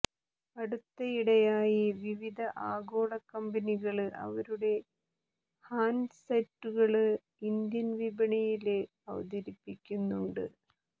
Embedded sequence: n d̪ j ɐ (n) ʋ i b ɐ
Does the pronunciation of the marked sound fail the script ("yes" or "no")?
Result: no